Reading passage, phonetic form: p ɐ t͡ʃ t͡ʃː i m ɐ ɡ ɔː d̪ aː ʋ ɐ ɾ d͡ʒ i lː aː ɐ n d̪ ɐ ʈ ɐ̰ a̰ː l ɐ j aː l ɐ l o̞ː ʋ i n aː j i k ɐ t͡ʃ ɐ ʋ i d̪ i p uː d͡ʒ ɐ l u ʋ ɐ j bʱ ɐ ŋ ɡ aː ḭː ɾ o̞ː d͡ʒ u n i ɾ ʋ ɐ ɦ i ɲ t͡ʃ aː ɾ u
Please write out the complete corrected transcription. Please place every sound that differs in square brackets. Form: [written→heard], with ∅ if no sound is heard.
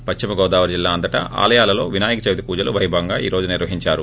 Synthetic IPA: p ɐ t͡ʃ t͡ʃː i m ɐ ɡ ɔː d̪ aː ʋ ɐ ɾ d͡ʒ i lː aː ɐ n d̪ ɐ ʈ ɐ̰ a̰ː l ɐ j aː l ɐ l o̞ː ʋ i n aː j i k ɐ t͡ʃ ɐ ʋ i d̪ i p uː d͡ʒ ɐ l u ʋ ɐ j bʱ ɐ ŋ ɡ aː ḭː ɾ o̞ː d͡ʒ u n i ɾ ʋ ɐ ɦ i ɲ t͡ʃ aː ɾ u